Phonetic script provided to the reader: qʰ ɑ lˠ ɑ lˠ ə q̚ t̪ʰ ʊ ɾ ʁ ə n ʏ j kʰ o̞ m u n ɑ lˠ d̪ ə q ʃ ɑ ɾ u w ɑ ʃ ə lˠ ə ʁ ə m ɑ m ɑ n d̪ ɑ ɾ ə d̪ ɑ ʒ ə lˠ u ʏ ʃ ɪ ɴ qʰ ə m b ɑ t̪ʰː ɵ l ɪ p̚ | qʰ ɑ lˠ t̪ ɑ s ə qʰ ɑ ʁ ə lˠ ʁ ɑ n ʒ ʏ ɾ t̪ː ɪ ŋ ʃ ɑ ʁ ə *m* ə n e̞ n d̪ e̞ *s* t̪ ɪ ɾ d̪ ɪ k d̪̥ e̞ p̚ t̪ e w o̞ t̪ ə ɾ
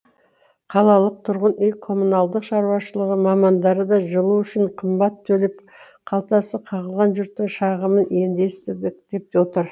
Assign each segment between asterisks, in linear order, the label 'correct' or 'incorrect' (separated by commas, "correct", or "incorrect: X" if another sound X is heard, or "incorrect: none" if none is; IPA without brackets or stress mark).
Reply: correct, correct